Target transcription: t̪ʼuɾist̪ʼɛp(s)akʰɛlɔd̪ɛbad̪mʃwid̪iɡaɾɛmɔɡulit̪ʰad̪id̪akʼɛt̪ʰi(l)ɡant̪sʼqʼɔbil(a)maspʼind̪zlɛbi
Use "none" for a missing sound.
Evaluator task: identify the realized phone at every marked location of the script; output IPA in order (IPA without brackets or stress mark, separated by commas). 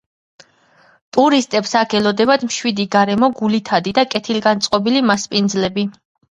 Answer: s, l, i